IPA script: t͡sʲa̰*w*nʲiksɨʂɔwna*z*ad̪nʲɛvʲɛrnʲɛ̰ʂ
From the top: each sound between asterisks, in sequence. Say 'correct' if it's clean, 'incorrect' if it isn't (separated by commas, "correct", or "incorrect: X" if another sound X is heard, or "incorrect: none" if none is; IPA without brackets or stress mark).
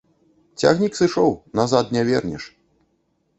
incorrect: ɣ, correct